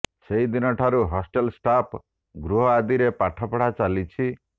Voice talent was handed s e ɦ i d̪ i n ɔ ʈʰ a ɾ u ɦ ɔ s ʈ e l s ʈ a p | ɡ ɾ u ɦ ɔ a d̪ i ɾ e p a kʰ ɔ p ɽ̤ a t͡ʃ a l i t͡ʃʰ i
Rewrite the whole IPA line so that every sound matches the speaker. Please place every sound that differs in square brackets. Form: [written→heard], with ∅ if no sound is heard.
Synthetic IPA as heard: s e ɦ i d̪ i n ɔ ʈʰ a ɾ u ɦ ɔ s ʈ e l s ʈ a p | ɡ ɾ u ɦ ɔ a d̪ i ɾ e p a [kʰ→ʈʰ] ɔ p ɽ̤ a t͡ʃ a l i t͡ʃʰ i